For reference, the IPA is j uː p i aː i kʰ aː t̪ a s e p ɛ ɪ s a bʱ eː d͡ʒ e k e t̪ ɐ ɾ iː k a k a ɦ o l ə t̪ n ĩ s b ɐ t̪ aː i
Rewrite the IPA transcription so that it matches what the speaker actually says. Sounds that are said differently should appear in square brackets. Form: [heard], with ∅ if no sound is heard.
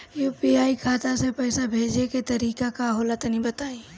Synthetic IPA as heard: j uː p i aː i kʰ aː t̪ a s e p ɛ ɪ s a bʱ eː d͡ʒ e k e t̪ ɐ ɾ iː k a k a ɦ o l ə t̪ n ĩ [∅] b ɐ t̪ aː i